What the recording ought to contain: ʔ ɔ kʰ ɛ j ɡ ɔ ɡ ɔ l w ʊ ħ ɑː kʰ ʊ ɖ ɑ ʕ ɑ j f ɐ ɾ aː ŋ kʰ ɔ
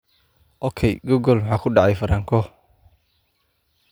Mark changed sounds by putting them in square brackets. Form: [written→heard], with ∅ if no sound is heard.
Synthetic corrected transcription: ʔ ɔ kʰ ɛ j ɡ ɔ ɡ ɔ l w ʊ ħ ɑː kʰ ʊ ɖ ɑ ʕ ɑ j f ɐ ɾ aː ŋ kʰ ɔ